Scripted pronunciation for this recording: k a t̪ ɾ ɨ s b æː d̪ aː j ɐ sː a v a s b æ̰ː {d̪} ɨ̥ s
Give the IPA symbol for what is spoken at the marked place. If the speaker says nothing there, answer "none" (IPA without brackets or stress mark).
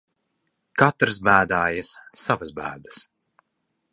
d̪